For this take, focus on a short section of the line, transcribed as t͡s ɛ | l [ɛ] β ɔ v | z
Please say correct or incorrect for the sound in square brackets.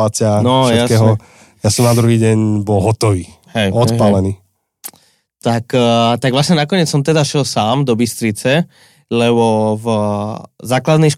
correct